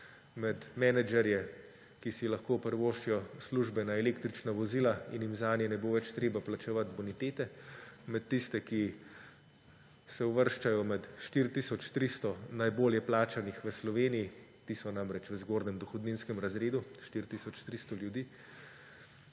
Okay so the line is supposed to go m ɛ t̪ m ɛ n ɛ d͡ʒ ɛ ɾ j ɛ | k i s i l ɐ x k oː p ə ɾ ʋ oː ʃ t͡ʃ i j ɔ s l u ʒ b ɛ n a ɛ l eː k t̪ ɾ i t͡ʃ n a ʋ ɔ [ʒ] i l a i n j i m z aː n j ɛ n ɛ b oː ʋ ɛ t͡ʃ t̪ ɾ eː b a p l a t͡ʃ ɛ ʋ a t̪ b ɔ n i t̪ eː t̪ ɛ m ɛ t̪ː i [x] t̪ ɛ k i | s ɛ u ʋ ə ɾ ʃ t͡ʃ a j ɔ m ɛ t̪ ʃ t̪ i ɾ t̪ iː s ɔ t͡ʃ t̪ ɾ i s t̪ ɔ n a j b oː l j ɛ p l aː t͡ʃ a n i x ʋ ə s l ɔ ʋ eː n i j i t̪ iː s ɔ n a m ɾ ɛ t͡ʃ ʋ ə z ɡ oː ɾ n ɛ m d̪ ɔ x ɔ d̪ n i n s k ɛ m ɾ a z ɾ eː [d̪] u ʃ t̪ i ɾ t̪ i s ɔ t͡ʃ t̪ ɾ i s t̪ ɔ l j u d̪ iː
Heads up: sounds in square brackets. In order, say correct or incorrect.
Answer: incorrect: z, incorrect: s, correct

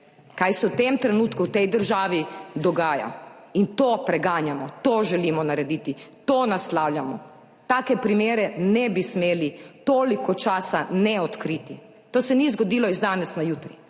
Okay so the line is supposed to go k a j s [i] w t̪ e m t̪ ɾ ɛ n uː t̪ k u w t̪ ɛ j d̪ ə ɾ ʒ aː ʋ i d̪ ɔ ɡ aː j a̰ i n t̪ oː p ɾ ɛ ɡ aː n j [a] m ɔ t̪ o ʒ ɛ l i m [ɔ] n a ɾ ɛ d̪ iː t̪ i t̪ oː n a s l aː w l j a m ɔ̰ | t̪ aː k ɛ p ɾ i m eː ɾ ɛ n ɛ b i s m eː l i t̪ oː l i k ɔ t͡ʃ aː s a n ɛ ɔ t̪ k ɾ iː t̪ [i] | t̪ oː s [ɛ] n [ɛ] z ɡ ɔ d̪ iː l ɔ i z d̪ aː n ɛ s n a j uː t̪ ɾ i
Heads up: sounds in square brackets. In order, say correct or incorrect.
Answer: incorrect: ɛ, correct, correct, correct, correct, incorrect: i

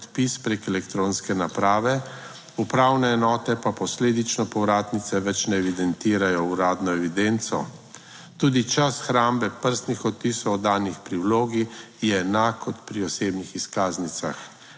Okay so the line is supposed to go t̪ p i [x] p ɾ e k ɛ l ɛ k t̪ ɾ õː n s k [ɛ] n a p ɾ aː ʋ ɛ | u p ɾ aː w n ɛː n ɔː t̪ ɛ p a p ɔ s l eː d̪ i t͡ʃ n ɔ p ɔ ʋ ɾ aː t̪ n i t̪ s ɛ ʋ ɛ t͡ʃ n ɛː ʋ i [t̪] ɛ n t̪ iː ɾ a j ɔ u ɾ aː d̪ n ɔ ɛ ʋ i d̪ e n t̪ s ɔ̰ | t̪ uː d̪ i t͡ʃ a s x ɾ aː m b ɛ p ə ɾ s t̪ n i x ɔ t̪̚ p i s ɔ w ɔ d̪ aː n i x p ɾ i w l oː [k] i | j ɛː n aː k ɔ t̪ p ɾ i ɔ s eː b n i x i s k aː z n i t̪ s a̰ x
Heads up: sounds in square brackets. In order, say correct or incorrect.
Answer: incorrect: s, correct, incorrect: d̪, incorrect: ɡ

